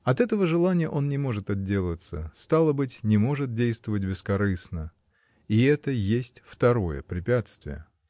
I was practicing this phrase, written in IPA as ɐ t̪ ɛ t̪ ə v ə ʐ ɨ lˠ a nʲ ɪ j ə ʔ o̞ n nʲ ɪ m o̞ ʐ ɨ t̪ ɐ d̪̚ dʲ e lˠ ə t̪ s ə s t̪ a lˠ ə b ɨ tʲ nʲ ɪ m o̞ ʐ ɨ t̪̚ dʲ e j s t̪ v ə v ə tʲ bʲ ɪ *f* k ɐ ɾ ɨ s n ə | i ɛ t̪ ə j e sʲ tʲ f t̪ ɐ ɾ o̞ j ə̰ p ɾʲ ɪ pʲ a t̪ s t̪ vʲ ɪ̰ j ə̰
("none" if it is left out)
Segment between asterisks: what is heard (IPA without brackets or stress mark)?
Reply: s